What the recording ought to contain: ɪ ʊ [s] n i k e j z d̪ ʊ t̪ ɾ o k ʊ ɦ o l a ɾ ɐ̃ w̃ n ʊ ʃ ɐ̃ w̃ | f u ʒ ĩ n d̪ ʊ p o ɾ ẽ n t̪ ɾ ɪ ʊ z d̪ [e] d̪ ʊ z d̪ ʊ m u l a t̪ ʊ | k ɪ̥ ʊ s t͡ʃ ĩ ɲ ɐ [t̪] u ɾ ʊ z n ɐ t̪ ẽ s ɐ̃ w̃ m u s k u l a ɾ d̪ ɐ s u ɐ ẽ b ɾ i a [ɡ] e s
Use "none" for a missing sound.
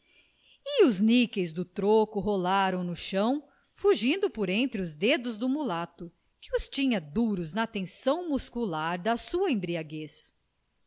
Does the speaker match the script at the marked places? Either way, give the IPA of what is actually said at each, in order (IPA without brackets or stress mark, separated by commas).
z, e, d̪, ɡ